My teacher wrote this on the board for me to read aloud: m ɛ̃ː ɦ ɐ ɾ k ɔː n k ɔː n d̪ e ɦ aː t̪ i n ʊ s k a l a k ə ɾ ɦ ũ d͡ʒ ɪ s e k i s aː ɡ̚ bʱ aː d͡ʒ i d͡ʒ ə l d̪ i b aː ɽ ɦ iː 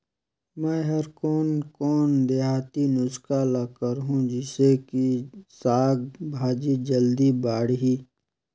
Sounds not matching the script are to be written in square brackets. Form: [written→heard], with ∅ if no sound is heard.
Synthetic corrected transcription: m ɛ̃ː ɦ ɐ ɾ k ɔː n k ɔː n d̪ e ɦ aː t̪ i n ʊ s k a l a k ə ɾ ɦ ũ d͡ʒ ɪ s e k i s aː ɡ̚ bʱ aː d͡ʒ i d͡ʒ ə l d̪ i b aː ɽ ɦ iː